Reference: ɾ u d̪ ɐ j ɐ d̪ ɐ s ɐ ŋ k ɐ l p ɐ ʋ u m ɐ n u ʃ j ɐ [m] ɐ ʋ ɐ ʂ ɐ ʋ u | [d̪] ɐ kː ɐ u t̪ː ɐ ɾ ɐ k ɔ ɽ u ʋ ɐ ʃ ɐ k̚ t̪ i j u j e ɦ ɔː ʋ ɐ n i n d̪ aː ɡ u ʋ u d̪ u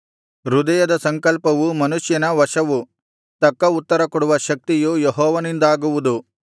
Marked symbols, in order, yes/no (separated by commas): no, no